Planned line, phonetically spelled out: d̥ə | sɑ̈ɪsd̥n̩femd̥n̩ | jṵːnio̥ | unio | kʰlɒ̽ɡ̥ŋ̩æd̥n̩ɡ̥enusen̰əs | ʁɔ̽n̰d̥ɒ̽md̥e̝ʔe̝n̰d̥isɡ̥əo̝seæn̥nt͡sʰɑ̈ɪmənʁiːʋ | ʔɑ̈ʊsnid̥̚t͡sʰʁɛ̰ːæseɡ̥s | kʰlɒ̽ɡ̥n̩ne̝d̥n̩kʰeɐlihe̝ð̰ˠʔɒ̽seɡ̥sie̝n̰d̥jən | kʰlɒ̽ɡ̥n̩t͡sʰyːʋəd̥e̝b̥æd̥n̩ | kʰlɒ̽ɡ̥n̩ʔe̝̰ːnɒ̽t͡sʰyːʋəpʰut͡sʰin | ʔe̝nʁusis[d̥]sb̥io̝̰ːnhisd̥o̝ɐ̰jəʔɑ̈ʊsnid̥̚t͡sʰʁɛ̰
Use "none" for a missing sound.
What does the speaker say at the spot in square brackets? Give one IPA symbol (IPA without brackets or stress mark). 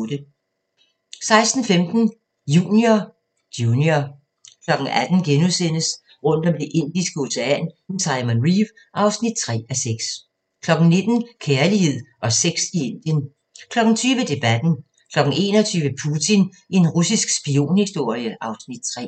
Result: ɡ̥